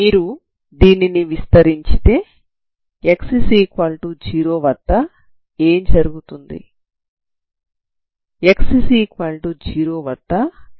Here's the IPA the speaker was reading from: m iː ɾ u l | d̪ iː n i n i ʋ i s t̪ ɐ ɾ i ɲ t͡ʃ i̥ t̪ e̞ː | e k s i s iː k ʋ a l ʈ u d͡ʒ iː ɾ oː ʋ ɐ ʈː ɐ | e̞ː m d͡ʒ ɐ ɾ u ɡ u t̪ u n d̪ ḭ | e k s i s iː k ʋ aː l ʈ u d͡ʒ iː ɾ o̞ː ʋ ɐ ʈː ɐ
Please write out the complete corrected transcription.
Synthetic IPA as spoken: m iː ɾ u | d̪ iː n i n i ʋ i s t̪ ɐ ɾ i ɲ t͡ʃ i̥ t̪ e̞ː | e k s i s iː k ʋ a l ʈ u d͡ʒ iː ɾ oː ʋ ɐ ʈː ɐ | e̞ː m d͡ʒ ɐ ɾ u ɡ u t̪ u n d̪ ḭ | e k s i s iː k ʋ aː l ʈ u d͡ʒ iː ɾ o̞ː ʋ ɐ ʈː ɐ